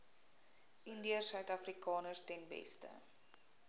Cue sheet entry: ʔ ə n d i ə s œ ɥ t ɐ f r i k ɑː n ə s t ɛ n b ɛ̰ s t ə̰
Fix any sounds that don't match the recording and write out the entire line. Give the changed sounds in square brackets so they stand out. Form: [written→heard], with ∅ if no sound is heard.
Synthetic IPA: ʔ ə n d i ə s œ ɥ t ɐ f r i k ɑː n ə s t ɛ n b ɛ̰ s t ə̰